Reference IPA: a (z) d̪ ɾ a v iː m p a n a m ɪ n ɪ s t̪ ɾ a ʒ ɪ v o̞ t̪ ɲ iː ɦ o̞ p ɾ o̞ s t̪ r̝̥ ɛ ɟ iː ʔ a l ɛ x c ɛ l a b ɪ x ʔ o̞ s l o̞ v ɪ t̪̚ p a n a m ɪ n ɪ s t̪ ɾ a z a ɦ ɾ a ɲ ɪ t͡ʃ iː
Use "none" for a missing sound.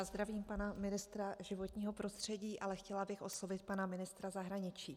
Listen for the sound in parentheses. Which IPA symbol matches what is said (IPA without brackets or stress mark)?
z